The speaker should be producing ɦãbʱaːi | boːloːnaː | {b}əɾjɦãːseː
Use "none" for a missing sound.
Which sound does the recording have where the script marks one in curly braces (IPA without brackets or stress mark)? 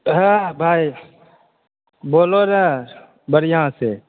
b